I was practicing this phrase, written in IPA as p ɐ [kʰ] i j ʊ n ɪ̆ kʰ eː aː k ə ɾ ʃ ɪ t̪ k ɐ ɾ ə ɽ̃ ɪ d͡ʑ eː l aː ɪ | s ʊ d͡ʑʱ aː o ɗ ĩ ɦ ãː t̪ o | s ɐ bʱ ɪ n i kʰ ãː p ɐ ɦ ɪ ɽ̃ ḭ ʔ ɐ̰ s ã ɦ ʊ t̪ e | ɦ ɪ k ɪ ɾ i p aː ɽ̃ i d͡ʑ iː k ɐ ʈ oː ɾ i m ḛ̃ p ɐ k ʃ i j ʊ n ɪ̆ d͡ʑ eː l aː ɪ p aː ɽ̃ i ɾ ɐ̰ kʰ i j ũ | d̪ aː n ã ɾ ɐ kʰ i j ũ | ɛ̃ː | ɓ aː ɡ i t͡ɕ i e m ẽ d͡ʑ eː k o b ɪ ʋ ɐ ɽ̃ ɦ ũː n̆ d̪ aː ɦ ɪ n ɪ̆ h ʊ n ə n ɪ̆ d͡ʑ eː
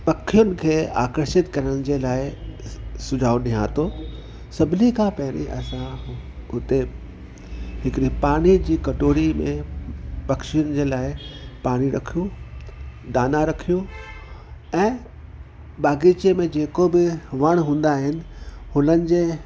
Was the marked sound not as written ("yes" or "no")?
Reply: no